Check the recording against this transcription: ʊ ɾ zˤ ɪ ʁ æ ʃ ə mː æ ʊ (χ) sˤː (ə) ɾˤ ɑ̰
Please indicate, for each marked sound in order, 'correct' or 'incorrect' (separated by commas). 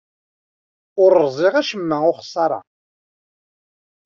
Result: correct, incorrect